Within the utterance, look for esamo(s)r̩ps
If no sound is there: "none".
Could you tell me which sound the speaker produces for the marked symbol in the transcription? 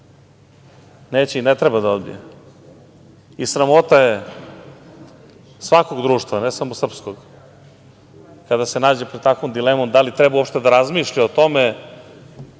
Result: s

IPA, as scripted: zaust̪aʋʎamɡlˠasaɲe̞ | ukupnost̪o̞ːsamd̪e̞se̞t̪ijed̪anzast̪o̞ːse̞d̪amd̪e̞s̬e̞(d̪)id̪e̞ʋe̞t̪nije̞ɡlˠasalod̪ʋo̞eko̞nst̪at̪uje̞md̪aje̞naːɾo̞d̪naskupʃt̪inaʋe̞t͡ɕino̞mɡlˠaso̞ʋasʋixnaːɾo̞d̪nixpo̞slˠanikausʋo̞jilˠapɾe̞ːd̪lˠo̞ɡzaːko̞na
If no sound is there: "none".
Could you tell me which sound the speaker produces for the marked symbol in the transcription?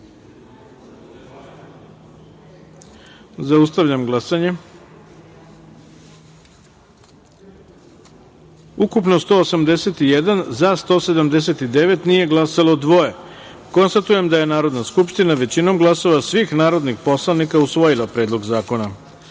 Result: t̪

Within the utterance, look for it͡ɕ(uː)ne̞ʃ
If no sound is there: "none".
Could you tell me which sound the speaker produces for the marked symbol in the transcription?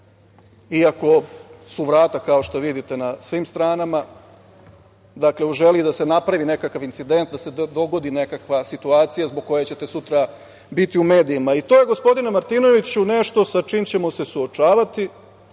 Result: u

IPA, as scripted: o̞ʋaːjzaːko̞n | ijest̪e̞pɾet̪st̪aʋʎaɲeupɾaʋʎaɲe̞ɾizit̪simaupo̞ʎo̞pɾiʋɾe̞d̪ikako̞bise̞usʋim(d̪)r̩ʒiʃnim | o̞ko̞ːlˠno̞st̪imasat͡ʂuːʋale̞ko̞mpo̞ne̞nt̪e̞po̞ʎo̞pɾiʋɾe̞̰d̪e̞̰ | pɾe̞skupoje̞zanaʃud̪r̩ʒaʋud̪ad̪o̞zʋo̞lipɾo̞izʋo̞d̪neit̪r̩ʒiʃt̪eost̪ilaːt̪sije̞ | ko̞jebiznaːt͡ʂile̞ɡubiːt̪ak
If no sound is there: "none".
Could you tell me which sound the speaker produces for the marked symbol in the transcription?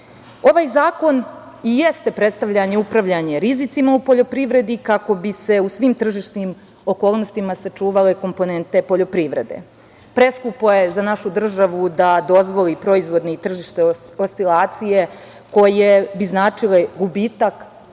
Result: t̪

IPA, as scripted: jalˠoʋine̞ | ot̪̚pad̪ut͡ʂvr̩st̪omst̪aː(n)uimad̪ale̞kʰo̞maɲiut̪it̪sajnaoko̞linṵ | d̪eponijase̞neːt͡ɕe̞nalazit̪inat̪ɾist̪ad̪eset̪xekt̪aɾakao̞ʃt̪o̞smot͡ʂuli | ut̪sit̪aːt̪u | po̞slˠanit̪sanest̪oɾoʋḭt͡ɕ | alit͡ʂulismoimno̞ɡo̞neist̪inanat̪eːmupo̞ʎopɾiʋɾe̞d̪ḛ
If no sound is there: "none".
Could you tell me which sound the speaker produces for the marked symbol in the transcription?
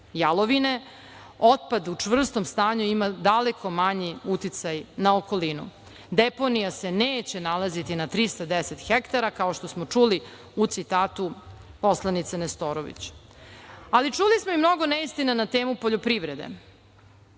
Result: ɲ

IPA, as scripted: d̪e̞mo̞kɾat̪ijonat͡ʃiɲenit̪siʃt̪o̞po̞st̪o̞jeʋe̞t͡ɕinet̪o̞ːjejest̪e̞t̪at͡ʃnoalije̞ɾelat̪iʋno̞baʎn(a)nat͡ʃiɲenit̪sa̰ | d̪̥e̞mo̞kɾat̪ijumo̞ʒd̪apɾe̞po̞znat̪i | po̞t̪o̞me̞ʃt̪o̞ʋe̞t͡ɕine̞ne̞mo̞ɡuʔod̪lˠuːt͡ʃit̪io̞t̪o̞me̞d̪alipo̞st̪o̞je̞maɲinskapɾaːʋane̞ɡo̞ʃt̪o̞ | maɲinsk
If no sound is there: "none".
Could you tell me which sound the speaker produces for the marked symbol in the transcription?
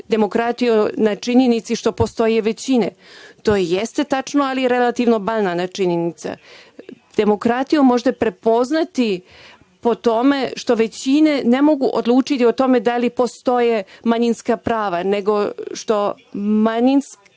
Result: a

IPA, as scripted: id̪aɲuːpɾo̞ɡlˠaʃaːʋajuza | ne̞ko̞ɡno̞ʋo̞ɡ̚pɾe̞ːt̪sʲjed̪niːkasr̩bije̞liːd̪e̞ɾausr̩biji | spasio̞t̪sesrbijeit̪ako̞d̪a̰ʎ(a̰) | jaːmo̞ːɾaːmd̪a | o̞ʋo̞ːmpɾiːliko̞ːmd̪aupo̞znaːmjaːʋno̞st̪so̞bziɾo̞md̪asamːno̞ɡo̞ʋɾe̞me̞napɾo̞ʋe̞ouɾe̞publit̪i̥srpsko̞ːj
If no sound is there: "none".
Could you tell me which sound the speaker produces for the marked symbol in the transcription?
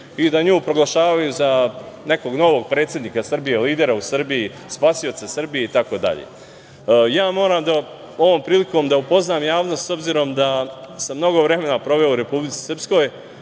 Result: ḛ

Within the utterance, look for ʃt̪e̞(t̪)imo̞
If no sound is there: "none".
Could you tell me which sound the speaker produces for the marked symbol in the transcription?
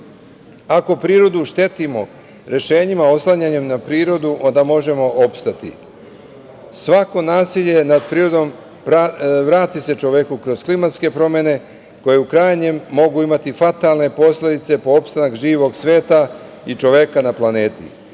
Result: t̪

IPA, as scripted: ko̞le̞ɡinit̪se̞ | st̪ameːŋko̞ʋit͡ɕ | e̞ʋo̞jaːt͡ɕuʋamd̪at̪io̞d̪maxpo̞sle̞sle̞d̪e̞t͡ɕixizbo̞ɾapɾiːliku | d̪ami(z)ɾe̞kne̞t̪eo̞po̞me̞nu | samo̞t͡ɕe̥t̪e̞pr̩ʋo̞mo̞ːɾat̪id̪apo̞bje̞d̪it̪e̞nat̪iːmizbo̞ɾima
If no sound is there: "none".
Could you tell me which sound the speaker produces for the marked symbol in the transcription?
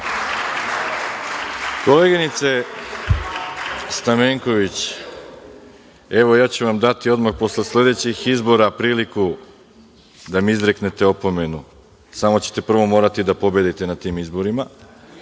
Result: z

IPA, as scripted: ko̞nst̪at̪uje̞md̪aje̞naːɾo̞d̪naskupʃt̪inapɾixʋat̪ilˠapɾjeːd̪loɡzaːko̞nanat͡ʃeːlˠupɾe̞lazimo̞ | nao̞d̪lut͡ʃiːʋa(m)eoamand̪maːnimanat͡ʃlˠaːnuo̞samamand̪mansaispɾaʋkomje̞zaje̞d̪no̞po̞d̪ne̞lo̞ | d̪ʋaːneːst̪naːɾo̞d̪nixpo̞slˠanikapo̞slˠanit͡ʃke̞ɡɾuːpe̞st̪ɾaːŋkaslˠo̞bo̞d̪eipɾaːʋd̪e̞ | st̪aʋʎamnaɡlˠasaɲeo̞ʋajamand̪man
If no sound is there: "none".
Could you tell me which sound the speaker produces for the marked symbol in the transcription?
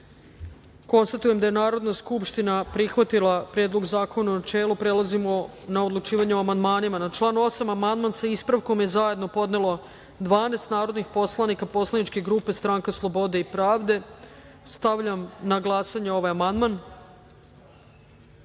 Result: ɲ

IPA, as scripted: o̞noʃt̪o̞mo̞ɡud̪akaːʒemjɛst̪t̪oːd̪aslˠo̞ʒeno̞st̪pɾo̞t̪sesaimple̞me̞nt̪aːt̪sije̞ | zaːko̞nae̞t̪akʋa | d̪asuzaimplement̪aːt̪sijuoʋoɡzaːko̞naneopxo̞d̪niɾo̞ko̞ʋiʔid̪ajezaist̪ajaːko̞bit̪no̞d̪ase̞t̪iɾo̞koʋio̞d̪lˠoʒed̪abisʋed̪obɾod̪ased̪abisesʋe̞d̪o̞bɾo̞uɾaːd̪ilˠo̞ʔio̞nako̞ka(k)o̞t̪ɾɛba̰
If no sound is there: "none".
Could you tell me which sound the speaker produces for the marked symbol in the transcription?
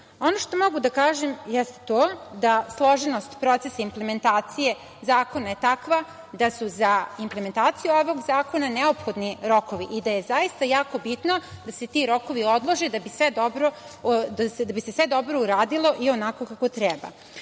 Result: k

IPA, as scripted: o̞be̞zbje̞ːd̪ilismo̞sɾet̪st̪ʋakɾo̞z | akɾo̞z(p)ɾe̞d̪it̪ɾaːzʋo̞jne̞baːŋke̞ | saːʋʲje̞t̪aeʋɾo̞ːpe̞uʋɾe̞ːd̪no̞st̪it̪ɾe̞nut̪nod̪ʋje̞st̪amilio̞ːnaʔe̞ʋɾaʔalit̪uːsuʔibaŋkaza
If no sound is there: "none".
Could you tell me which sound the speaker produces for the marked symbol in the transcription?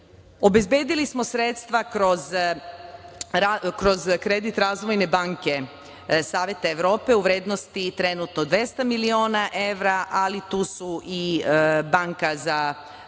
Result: k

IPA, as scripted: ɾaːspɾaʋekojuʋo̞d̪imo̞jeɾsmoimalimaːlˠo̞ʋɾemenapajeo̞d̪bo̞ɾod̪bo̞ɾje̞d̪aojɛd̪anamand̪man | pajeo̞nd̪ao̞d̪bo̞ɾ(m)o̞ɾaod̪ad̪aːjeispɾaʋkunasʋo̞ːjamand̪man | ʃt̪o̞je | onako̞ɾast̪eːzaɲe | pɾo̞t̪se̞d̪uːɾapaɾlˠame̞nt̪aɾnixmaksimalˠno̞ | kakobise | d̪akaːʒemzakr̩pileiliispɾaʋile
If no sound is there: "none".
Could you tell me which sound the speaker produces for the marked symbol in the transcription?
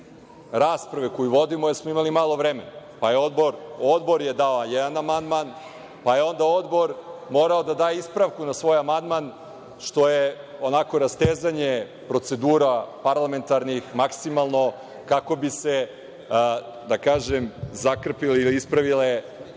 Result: m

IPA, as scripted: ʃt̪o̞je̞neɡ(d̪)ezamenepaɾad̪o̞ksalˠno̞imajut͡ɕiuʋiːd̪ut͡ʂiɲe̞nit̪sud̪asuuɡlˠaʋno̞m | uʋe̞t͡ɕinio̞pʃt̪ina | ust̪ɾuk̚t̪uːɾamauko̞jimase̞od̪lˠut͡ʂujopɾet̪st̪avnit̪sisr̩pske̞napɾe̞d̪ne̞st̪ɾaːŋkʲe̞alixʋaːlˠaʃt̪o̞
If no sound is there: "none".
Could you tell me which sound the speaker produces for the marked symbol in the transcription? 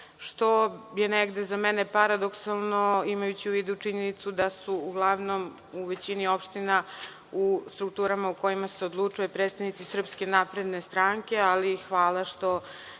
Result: d̪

